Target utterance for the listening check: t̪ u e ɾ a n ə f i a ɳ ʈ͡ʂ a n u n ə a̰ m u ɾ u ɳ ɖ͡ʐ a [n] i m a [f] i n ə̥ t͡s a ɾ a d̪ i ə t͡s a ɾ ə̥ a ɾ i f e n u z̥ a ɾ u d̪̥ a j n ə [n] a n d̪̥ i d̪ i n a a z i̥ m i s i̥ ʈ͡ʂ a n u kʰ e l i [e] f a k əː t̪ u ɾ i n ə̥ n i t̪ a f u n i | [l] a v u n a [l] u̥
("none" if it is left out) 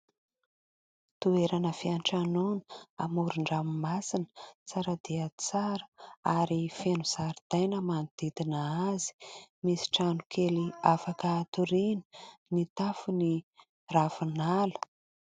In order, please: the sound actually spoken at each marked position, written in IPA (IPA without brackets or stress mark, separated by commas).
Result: m, s, m, a, r, l